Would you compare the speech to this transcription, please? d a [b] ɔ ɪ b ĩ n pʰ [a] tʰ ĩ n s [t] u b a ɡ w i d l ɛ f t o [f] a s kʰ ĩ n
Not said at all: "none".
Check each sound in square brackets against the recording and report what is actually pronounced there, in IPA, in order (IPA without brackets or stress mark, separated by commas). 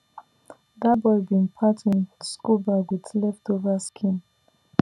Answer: b, a, k, v